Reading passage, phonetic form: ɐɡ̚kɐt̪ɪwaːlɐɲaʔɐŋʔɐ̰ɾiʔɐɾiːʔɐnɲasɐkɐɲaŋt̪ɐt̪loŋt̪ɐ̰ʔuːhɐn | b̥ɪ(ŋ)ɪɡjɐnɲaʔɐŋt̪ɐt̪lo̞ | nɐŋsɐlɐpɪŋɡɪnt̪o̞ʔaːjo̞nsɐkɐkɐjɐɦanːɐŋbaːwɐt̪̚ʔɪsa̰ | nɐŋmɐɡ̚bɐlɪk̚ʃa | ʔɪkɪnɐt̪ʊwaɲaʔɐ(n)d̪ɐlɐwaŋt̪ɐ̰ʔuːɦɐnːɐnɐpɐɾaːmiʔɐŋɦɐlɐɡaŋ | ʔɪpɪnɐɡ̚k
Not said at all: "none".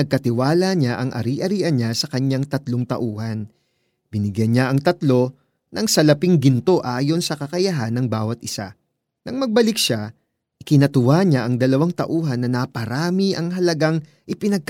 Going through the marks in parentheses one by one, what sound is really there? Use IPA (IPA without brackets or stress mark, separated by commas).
n, ŋ